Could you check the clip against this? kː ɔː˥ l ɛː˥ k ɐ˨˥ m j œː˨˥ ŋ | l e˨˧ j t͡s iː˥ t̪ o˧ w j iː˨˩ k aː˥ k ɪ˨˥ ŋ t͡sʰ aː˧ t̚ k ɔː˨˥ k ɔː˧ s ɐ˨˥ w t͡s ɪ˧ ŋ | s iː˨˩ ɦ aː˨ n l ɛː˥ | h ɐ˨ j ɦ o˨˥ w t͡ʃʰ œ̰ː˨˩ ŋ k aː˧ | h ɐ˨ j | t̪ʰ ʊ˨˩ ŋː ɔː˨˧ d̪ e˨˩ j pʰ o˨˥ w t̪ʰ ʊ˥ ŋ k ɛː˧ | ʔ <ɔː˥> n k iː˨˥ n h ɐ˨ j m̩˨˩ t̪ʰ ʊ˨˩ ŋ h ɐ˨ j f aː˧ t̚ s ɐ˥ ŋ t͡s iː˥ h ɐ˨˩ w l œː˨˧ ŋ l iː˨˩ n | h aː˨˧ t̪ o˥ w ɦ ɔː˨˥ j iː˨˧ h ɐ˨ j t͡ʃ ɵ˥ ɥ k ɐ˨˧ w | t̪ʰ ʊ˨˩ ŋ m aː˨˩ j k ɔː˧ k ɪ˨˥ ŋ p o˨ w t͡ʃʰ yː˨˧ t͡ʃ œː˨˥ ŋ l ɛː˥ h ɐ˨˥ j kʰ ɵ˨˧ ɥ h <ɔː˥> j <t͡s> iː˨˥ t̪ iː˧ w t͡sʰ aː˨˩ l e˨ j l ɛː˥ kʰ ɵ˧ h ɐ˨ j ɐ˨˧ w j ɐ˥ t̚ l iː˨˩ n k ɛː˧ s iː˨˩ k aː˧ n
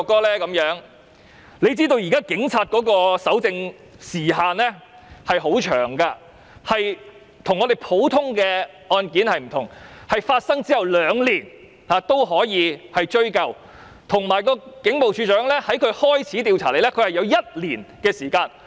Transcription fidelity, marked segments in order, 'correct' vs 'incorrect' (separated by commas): incorrect, correct, incorrect